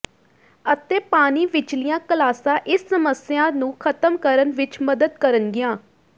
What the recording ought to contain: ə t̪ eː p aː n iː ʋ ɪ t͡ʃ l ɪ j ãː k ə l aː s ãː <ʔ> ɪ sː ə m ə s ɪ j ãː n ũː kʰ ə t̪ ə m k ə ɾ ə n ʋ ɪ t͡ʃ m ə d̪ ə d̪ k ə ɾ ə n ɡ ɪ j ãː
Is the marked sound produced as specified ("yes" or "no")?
yes